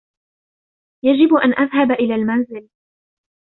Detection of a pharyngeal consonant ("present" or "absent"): absent